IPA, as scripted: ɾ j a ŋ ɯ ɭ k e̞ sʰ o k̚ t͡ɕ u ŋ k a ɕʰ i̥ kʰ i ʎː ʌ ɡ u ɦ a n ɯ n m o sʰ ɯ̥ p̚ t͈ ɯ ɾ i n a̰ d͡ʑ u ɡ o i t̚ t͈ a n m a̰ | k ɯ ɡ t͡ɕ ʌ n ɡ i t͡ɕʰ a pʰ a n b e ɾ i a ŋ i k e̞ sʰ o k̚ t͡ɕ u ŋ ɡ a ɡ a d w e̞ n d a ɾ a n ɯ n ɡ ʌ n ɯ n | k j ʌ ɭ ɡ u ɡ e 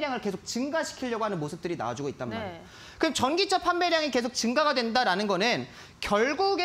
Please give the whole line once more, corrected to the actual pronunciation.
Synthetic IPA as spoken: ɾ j a ŋ ɯ ɭ k e̞ sʰ o k̚ t͡ɕ ɯ ŋ ɡ a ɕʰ i̥ kʰ i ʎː ʌ ɡ o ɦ a n ɯ n m o sʰ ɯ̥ p̚ t͈ ɯ ɾ i n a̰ d͡ʑ u ɡ o i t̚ t͈ a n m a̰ | k ɯ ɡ t͡ɕ ʌ n ɡ i t͡ɕʰ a pʰ a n b e ɾ j a ŋ i k e̞ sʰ o k̚ t͡ɕ ɯ ŋ ɡ a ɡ a d w e̞ n d a ɾ a n ɯ n ɡ ʌ n ɯ n | k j ʌ ɭ ɡ u ɡ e